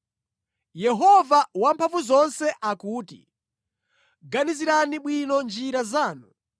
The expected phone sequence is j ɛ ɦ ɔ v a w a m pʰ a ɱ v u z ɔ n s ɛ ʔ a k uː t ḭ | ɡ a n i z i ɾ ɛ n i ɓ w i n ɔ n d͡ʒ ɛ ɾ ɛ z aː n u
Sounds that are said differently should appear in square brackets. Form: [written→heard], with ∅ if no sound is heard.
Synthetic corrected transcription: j ɛ ɦ ɔ v a w a m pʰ a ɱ v u z ɔ n s ɛ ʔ a k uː t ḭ | ɡ a n i z i ɾ [ɛ→a] n i ɓ w i n ɔ n d͡ʒ [ɛ→i] ɾ [ɛ→a] z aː n u